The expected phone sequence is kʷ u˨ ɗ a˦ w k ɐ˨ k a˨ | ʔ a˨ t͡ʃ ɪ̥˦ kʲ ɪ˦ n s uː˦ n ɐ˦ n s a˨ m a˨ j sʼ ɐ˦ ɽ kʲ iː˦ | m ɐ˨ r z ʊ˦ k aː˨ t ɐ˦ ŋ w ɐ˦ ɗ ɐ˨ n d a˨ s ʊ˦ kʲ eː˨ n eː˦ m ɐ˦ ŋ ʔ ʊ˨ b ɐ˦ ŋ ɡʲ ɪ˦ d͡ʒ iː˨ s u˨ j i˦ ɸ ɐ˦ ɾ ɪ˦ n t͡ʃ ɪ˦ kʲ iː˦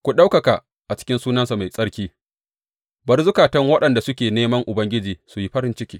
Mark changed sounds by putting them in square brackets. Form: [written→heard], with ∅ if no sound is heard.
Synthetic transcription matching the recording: kʷ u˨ ɗ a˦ w k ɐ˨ k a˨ | ʔ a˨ t͡ʃ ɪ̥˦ kʲ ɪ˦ n s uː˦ n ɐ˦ n s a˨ m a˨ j sʼ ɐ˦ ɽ kʲ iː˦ | [m→b] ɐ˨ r z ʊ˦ k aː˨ t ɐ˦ ŋ w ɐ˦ ɗ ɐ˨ n d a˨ s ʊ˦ kʲ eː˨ n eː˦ m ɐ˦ ŋ ʔ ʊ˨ b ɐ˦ ŋ ɡʲ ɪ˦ d͡ʒ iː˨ s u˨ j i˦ ɸ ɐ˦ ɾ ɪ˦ n t͡ʃ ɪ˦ kʲ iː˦